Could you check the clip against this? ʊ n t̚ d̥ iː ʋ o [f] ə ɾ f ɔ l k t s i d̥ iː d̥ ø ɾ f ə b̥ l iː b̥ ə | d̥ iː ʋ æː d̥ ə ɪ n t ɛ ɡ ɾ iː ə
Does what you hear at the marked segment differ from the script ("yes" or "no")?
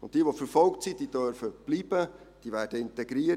no